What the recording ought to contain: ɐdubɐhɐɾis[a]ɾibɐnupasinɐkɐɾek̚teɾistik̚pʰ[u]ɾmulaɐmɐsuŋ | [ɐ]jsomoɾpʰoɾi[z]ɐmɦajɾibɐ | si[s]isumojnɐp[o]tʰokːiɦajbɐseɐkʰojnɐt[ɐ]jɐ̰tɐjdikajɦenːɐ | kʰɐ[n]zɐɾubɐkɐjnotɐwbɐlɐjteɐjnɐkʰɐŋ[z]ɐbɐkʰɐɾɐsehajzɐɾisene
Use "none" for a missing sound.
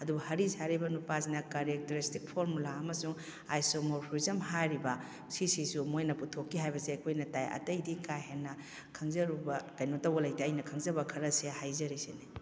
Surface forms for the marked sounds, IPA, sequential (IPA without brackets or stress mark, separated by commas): a, o, a, z, s, u, a, ŋ, z